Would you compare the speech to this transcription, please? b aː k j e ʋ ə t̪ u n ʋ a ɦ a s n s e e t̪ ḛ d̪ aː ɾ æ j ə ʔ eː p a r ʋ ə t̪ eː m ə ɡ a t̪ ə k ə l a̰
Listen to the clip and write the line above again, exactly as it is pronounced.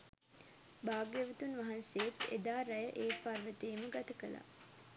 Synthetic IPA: b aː ɡ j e ʋ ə t̪ u n ʋ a ɦ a n s e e t̪ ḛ d̪ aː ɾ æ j ə ʔ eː p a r ʋ ə t̪ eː m ə ɡ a t̪ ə k ə l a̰